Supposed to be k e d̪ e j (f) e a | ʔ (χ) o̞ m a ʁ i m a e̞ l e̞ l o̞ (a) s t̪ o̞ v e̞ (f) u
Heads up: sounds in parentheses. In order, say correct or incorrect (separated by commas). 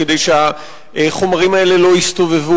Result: incorrect, correct, incorrect, incorrect